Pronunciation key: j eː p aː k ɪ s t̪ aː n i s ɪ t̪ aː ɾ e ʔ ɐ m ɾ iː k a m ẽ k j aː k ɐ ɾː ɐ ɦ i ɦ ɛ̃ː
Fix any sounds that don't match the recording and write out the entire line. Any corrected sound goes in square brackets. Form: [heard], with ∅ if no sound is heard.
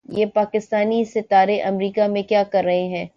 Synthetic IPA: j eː p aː k ɪ s t̪ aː n i s ɪ t̪ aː ɾ e ʔ ɐ m ɾ iː k a m ẽ k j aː k ɐ ɾː ɐ ɦ [e] ɦ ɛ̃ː